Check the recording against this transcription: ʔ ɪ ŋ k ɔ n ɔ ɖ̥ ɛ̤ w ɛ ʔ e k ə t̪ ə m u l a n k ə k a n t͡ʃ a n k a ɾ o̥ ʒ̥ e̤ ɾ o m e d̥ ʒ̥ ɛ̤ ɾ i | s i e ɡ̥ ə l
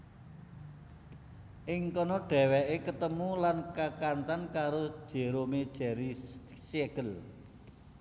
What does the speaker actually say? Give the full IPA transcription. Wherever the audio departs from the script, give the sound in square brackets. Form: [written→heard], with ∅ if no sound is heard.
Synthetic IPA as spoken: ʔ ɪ ŋ k ɔ n ɔ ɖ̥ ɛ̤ w ɛ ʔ e k ə t̪ ə m u l a n k [ə→a] k a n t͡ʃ a n k a ɾ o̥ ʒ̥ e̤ ɾ o m e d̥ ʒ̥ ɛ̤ ɾ i | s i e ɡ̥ ə l